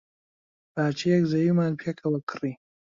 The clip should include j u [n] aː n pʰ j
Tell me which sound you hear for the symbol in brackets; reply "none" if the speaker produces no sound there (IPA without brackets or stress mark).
m